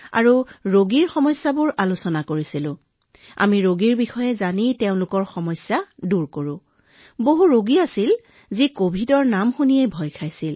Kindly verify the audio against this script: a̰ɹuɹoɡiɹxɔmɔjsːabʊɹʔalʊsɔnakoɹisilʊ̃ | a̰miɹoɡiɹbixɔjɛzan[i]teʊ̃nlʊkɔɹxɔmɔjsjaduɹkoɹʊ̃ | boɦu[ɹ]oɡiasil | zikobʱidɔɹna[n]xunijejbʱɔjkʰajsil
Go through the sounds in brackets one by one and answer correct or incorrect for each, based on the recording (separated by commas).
correct, correct, incorrect